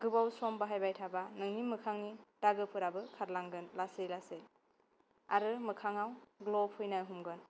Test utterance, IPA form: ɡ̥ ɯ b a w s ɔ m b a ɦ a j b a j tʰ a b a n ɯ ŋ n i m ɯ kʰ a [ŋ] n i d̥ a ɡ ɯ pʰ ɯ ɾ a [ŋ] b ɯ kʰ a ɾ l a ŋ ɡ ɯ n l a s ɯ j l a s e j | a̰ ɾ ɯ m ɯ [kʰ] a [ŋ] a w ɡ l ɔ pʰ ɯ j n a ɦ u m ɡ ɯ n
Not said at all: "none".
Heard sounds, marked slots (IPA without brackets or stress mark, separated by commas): ŋ, none, kʰ, ŋ